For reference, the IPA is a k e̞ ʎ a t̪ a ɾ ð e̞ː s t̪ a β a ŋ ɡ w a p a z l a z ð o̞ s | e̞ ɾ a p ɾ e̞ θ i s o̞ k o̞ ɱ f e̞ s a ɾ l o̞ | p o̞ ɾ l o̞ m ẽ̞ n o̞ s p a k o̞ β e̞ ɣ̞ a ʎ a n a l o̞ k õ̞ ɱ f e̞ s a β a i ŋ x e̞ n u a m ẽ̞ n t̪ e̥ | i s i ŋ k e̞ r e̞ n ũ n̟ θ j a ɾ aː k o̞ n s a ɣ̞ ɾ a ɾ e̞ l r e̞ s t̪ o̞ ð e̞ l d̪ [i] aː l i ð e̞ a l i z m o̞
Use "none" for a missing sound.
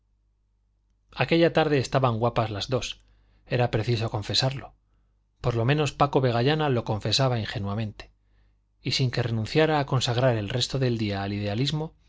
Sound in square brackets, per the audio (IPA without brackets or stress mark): i